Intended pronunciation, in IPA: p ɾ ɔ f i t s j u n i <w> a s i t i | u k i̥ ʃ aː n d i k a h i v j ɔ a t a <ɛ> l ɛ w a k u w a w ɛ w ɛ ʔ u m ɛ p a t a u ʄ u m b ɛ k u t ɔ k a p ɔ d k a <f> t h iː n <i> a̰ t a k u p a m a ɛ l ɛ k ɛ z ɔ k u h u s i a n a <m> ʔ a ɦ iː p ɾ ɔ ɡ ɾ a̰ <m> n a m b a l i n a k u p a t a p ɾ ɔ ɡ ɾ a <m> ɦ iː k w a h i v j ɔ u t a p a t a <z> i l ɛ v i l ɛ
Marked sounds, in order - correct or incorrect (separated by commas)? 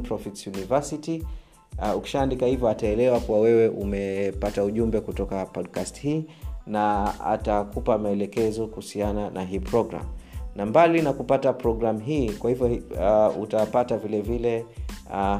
incorrect, correct, incorrect, incorrect, incorrect, correct, correct, incorrect